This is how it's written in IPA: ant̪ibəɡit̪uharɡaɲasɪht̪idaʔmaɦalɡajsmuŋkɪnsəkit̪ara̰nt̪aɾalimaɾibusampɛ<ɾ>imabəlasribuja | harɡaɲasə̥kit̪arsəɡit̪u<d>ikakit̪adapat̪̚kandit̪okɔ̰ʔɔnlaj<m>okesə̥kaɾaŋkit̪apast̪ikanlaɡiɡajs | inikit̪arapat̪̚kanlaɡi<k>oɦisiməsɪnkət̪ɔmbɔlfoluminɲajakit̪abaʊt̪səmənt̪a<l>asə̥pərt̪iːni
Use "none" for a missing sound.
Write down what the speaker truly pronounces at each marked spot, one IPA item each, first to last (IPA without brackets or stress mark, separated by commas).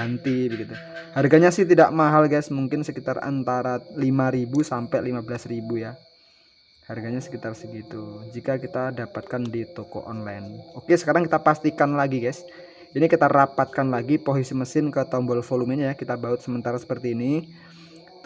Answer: l, d͡ʒ, n, p, ɾ